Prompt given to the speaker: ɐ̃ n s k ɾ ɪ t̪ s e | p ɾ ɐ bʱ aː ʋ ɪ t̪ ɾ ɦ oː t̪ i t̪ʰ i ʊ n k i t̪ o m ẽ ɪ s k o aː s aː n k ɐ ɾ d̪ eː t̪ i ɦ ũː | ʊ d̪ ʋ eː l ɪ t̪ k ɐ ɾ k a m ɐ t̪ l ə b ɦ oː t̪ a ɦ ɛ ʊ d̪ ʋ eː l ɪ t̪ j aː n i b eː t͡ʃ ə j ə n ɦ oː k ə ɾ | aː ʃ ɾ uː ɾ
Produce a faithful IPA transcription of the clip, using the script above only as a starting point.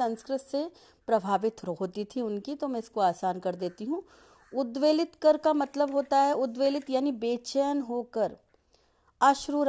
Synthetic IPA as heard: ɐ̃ n s k ɾ ɪ t̪ s e | p ɾ ɐ bʱ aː ʋ ɪ t̪ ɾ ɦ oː t̪ i t̪ʰ i ʊ n k i t̪ o m ɛ̃ ɪ s k o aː s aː n k ɐ ɾ d̪ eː t̪ i ɦ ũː | ʊ d̪ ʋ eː l ɪ t̪ k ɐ ɾ k a m ɐ t̪ l ə b ɦ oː t̪ a ɦ ɛ ʊ d̪ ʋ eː l ɪ t̪ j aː n i b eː t͡ʃ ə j ə n ɦ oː k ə ɾ | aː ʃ ɾ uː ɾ